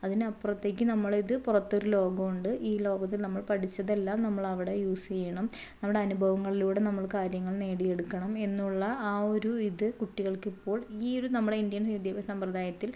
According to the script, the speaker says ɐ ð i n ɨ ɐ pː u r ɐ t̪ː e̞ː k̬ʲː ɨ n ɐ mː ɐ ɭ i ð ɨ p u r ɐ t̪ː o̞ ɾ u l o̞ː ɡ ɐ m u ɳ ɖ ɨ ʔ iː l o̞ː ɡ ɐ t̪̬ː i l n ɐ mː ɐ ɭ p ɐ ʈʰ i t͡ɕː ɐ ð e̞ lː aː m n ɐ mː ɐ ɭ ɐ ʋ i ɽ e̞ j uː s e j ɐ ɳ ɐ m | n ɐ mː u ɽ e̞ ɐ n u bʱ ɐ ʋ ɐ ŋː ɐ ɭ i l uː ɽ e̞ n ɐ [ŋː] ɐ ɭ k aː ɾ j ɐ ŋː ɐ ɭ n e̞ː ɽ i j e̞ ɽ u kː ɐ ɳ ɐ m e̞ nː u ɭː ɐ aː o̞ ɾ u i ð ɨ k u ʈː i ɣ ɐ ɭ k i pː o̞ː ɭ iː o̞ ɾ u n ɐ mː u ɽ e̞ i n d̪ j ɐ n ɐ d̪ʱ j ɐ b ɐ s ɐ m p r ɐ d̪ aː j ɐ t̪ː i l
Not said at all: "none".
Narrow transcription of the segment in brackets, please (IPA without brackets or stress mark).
mː